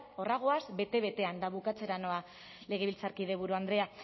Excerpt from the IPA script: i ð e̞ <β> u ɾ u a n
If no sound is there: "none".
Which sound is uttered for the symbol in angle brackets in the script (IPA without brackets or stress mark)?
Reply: β